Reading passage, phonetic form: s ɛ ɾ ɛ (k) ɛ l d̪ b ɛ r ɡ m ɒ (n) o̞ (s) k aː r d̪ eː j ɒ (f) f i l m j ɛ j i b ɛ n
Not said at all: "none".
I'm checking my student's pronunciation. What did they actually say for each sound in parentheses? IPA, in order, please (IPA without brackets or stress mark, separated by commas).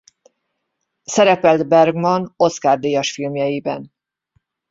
p, n, s, ʃ